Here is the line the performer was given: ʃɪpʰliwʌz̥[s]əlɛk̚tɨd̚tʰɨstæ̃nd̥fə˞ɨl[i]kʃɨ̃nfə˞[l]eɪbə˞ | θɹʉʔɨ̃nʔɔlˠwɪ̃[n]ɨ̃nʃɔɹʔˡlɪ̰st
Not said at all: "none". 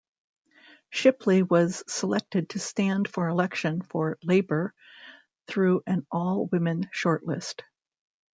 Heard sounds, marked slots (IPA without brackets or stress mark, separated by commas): s, ɛ, l, m